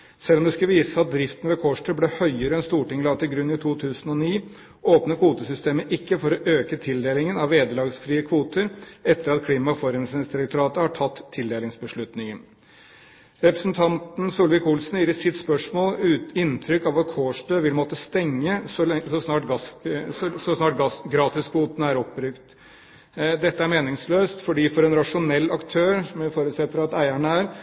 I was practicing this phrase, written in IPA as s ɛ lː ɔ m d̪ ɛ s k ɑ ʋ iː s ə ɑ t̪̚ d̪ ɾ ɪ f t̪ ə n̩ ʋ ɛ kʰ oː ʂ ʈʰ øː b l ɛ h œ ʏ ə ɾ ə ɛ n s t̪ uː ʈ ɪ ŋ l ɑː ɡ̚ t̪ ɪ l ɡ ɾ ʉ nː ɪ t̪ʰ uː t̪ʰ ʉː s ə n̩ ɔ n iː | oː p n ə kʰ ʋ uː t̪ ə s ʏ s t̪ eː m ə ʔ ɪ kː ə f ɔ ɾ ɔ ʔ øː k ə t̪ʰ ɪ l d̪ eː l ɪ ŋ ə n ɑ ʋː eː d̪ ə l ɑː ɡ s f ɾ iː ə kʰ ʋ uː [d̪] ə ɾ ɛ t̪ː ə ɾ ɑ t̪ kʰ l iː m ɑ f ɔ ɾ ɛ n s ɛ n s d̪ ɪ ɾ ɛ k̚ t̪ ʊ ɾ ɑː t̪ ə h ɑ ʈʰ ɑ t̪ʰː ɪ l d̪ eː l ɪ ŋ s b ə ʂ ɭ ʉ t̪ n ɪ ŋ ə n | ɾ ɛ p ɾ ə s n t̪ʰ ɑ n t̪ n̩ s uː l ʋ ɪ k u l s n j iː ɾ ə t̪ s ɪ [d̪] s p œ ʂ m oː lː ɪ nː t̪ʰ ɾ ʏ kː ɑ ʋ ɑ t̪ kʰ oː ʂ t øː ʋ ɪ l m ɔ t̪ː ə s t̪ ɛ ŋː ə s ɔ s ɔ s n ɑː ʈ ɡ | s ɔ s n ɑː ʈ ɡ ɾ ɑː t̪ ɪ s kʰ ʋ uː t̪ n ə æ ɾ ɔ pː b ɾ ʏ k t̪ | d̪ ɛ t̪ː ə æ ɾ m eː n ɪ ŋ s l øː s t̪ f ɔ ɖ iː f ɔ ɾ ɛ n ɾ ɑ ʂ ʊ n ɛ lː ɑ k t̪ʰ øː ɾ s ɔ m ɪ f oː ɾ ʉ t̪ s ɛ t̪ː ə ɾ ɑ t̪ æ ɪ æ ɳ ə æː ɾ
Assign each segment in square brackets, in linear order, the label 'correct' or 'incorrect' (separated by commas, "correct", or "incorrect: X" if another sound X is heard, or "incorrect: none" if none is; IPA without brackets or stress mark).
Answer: incorrect: t̪, incorrect: t̪